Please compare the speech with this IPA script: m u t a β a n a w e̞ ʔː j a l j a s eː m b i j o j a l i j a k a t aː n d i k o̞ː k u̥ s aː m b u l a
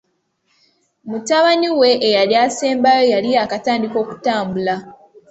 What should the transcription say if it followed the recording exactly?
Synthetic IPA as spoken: m u t a β a n i w e̞ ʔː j a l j a s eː m b a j o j a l i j a k a t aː n d i k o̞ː k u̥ t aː m b u l a